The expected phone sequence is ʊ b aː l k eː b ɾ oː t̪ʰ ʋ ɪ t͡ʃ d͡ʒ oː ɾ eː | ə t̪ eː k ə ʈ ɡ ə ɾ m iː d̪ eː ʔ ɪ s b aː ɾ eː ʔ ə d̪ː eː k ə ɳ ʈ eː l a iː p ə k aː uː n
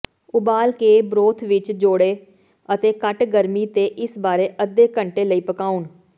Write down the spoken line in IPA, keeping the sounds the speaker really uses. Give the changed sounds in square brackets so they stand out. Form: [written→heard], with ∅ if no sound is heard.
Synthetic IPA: ʊ b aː l k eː b ɾ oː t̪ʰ ʋ ɪ t͡ʃ d͡ʒ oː [ɾ→ɽ] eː | ə t̪ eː k ə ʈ ɡ ə ɾ m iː [d̪→t̪] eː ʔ ɪ s b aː ɾ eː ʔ ə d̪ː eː k ə ɳ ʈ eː l [a→ə] iː p ə k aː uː n